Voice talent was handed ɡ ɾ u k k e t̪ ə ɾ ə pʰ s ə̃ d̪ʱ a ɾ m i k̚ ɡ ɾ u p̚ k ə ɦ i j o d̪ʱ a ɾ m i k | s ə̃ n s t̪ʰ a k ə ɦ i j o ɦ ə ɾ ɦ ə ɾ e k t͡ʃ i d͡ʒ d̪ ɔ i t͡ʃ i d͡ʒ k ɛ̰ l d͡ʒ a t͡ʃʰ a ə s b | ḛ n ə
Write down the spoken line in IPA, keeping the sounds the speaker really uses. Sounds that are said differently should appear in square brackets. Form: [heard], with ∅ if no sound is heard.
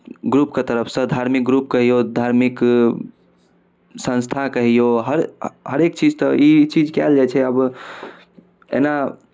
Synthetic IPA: ɡ ɾ u [p] k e t̪ ə ɾ ə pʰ s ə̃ d̪ʱ a ɾ m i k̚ ɡ ɾ u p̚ k ə ɦ i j o d̪ʱ a ɾ m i k | s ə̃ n s t̪ʰ a k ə ɦ i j o ɦ ə ɾ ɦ ə ɾ e k t͡ʃ i d͡ʒ [t̪] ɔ i t͡ʃ i d͡ʒ k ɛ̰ l d͡ʒ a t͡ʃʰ [ɛ] ə [∅] b | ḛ n [a]